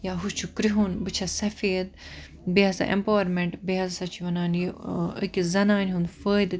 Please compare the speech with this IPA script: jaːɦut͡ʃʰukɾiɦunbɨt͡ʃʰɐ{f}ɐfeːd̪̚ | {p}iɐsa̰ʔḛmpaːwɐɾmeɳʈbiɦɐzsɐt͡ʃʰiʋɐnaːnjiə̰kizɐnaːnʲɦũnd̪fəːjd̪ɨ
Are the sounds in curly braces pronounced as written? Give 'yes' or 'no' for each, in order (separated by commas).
no, no